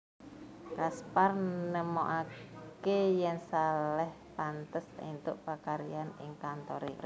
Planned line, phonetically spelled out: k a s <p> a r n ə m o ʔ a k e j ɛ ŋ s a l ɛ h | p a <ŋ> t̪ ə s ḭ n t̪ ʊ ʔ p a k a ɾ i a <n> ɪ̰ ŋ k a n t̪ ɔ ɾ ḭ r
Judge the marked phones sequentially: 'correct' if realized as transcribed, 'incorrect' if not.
correct, incorrect: n, correct

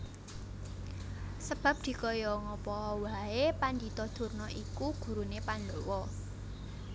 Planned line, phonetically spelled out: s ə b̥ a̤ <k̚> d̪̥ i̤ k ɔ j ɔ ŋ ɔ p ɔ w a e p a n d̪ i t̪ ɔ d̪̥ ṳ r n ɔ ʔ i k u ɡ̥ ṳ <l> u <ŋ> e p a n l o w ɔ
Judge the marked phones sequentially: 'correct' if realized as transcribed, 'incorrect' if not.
incorrect: p̚, incorrect: ɾ, incorrect: n

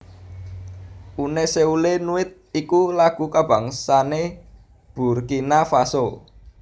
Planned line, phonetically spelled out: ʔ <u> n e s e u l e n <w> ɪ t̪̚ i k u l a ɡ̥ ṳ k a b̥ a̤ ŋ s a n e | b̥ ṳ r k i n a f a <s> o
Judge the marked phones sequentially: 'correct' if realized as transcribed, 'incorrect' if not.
correct, incorrect: u, correct

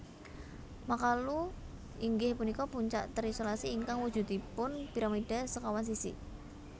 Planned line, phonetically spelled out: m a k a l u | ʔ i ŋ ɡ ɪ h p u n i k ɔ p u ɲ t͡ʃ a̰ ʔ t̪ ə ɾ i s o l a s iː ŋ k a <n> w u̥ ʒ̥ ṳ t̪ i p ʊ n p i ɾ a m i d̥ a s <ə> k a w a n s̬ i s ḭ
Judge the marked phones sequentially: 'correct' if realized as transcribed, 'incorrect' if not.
incorrect: ŋ, correct

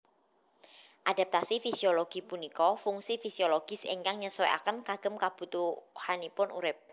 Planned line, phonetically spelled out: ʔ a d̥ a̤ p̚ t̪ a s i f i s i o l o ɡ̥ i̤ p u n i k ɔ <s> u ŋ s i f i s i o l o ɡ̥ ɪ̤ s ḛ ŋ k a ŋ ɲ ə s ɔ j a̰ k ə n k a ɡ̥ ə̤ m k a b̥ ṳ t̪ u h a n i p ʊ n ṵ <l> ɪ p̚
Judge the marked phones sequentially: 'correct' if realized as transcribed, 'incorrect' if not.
incorrect: f, incorrect: ɾ

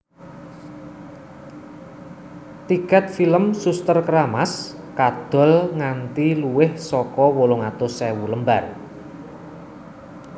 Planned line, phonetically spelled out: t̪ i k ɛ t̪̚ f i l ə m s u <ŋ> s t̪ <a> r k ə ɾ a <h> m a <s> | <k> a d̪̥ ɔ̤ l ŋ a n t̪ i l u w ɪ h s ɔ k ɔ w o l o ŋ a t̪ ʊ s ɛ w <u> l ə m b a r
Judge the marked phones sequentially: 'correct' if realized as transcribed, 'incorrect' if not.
incorrect: none, incorrect: ə, incorrect: none, correct, correct, correct

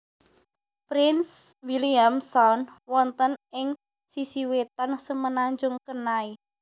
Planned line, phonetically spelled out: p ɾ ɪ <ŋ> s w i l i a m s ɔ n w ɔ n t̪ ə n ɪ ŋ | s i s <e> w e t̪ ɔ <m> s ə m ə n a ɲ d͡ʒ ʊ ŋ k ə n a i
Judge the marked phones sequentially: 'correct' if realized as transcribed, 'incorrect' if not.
incorrect: n, incorrect: i, incorrect: n

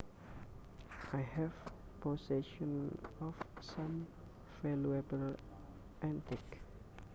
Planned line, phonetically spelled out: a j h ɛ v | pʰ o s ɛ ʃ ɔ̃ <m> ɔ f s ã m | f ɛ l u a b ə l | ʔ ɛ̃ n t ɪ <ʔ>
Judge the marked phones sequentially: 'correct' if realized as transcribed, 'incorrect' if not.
incorrect: n, incorrect: k

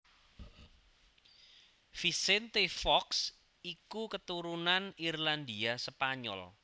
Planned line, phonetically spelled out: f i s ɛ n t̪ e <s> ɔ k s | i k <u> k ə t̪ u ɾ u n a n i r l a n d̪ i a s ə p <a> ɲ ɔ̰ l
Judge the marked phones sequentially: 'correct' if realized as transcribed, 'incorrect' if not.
incorrect: f, correct, correct

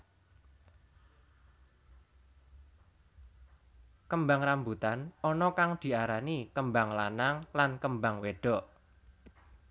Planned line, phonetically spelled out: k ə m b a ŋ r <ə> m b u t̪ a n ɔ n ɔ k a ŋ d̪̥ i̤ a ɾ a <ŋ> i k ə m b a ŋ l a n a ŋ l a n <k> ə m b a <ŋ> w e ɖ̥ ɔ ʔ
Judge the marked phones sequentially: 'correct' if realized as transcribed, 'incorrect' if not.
incorrect: a, incorrect: n, correct, correct

